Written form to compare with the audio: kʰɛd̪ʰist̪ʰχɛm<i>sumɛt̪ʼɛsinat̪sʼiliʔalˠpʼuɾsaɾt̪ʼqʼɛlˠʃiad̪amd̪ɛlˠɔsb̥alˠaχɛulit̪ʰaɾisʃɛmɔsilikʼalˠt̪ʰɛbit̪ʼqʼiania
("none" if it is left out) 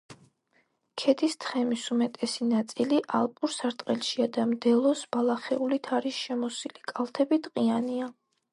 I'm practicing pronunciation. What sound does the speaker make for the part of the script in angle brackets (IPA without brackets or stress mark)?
i